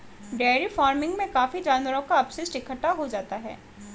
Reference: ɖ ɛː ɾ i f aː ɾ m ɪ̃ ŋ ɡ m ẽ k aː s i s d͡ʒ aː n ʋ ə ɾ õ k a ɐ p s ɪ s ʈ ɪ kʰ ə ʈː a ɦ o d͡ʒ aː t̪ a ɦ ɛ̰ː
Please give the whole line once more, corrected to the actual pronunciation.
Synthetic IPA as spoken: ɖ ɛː ɾ i f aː ɾ m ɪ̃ ŋ ɡ m ẽ k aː f i d͡ʒ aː n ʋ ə ɾ õ k a ɐ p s ɪ s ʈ ɪ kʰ ə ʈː a ɦ o d͡ʒ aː t̪ a ɦ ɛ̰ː